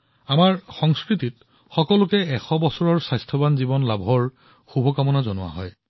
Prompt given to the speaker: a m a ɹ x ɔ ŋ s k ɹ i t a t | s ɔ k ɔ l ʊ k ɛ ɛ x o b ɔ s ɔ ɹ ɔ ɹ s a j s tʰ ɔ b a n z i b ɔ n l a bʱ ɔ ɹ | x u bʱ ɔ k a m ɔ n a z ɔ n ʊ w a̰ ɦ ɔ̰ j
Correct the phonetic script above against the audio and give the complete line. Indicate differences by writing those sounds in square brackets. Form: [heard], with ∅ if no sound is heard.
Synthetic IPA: a m a ɹ x ɔ ŋ s k ɹ i t [i] t | [x] ɔ k ɔ l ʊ k ɛ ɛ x [ɔ] b ɔ s ɔ ɹ ɔ ɹ s a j s tʰ ɔ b a n z i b ɔ n l a bʱ ɔ ɹ | x u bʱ ɔ k a m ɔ n a z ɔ n ʊ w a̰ ɦ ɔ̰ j